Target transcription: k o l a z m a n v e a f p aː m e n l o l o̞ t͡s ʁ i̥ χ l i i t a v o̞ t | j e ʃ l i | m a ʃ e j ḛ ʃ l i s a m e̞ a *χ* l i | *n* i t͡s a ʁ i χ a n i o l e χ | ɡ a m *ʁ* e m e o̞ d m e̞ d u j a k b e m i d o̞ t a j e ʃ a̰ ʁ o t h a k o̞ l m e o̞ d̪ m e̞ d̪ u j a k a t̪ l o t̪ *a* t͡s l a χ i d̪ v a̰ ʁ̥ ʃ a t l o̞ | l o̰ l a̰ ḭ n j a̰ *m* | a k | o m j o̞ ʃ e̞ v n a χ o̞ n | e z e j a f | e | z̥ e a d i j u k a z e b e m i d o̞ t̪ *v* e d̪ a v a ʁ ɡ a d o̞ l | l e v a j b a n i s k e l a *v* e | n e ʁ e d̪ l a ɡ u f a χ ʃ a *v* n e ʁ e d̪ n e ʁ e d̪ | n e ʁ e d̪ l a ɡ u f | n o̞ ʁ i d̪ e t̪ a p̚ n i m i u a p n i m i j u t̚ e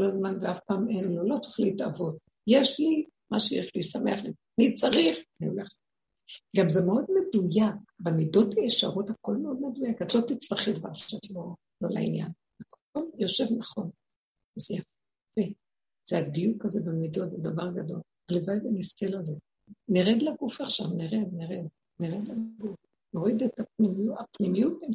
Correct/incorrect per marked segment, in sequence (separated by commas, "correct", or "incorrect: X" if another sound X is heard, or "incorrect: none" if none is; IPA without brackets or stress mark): correct, correct, incorrect: z, incorrect: i, incorrect: n, incorrect: z, incorrect: z, correct